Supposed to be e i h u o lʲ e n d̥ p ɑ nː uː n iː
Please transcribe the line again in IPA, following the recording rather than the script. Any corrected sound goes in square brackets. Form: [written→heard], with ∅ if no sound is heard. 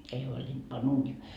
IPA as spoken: e i h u o lʲ [e→i] n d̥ p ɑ [nː→n] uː n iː